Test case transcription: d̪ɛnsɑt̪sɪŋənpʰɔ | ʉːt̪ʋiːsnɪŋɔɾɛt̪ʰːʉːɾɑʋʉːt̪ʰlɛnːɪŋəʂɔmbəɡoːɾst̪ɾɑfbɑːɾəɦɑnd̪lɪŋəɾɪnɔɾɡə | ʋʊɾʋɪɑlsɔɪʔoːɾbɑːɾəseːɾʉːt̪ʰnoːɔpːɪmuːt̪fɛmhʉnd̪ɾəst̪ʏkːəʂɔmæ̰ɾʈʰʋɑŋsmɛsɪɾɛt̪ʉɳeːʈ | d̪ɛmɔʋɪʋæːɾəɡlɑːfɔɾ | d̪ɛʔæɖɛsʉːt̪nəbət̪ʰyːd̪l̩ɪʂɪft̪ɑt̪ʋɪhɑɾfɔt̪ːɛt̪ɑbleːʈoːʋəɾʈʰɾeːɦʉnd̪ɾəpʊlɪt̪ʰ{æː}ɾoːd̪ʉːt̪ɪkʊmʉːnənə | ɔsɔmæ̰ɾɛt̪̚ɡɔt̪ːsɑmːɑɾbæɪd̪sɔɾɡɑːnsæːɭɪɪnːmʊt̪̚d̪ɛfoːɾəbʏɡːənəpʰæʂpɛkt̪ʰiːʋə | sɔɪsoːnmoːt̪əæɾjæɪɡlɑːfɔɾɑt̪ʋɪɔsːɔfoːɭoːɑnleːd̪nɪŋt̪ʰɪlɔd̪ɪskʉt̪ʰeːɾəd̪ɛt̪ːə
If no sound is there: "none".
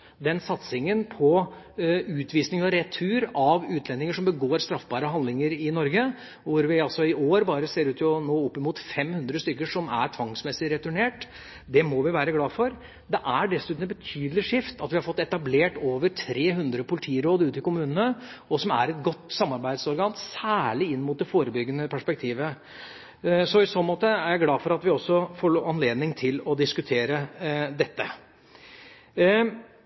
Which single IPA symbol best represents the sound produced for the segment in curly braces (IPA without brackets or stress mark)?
iː